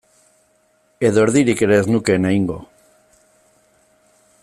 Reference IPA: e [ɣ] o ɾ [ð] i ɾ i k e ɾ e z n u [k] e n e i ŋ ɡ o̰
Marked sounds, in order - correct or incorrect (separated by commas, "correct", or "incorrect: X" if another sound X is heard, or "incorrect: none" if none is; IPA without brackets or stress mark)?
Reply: incorrect: ð, correct, correct